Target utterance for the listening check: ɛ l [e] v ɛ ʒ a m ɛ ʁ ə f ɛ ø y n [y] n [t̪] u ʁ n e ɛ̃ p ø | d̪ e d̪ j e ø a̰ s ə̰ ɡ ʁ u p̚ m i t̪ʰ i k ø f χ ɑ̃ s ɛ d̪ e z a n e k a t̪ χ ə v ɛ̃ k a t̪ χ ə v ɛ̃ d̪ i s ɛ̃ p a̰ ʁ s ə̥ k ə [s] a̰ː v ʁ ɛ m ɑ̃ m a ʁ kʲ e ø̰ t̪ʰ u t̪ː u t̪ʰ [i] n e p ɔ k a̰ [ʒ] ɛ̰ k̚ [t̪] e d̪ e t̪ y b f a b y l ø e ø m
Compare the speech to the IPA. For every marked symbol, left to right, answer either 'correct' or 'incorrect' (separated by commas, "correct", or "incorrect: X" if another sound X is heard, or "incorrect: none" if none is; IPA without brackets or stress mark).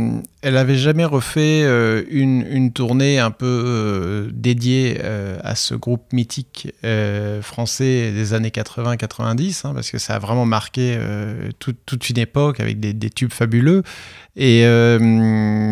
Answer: incorrect: a, correct, correct, correct, incorrect: y, incorrect: v, incorrect: d̪